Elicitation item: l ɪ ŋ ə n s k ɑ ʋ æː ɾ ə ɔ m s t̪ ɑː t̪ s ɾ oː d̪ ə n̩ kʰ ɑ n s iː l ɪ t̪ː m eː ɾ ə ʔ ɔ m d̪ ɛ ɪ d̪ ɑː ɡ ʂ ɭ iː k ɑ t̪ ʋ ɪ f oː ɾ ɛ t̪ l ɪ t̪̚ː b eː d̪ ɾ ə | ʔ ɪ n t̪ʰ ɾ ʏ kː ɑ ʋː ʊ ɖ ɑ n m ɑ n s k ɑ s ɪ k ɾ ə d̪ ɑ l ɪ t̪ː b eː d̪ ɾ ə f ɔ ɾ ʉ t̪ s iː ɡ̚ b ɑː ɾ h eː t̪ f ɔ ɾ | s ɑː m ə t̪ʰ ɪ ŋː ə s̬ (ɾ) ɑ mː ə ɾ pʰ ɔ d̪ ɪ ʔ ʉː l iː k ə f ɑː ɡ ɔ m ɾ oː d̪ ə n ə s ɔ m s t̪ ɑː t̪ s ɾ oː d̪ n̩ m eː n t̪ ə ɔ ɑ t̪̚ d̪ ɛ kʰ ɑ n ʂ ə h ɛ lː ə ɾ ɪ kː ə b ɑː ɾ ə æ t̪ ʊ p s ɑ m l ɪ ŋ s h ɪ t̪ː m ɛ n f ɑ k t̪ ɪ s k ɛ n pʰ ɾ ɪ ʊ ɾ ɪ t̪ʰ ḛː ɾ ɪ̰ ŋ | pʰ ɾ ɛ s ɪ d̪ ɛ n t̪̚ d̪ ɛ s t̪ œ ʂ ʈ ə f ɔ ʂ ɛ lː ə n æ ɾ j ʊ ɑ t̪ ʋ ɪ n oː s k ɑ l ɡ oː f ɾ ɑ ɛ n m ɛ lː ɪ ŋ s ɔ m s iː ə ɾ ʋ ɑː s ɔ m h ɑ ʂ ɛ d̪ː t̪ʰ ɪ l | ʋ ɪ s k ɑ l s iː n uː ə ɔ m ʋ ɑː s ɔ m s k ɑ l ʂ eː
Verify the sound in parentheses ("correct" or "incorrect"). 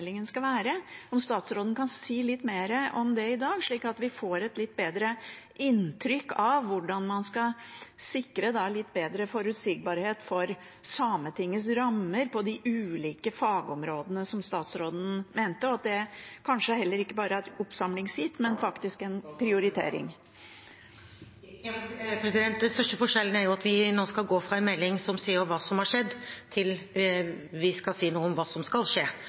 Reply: correct